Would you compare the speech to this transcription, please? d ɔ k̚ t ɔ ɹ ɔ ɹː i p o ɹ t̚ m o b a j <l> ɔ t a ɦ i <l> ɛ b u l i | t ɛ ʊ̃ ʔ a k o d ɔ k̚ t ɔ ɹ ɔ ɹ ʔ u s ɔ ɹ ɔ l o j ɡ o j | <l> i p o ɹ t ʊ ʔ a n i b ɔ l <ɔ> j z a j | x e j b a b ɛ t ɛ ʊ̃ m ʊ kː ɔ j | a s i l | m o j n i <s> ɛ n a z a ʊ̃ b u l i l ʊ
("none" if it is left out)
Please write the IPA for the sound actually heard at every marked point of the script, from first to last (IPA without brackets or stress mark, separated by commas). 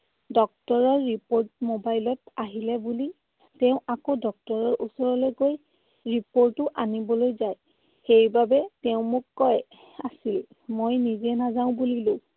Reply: l, l, ɹ, o, z